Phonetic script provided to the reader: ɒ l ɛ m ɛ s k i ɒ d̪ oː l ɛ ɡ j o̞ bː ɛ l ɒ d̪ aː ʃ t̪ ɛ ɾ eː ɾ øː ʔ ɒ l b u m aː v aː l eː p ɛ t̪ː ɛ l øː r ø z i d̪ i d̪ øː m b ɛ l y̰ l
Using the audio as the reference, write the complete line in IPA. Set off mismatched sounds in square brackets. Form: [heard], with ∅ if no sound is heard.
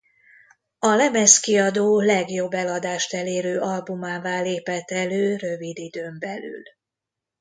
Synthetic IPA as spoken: ɒ l ɛ m ɛ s k i ɒ d̪ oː l ɛ ɡ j o̞ bː ɛ l ɒ d̪ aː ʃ t̪ ɛ [l] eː ɾ øː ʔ ɒ l b u m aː v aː l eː p ɛ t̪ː ɛ l øː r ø [v] i d̪ i d̪ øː m b ɛ l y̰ l